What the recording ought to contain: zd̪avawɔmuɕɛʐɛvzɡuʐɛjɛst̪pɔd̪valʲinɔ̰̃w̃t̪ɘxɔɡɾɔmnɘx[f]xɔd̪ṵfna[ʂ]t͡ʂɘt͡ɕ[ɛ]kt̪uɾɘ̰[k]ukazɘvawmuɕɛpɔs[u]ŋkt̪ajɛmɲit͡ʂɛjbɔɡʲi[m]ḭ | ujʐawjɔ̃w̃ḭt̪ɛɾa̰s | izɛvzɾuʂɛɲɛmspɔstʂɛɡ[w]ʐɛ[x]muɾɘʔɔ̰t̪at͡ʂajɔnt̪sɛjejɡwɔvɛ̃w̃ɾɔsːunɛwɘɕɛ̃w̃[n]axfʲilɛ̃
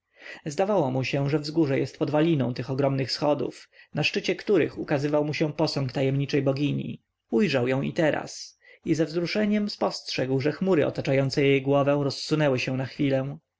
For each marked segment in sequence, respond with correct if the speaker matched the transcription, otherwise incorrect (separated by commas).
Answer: incorrect, correct, correct, incorrect, incorrect, incorrect, correct, correct, correct